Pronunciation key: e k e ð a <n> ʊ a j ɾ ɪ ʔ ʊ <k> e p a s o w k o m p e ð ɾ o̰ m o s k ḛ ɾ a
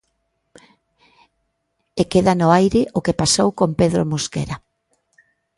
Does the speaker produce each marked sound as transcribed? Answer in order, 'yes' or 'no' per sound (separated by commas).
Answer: yes, yes